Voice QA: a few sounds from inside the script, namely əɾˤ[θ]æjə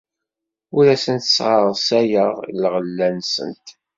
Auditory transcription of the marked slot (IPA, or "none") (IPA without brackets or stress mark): s